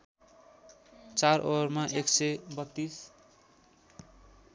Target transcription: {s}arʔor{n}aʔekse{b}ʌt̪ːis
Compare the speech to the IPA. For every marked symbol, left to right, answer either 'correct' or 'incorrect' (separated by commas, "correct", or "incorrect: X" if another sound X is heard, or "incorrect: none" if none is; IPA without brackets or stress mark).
incorrect: t͡s, incorrect: m, correct